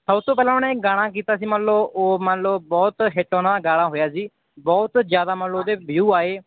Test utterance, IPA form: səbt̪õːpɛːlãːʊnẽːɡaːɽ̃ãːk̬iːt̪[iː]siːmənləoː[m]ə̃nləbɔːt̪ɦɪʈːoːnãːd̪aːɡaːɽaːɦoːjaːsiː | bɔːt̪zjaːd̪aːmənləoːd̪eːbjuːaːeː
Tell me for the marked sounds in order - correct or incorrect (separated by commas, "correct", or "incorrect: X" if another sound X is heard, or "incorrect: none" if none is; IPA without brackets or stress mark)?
incorrect: aː, correct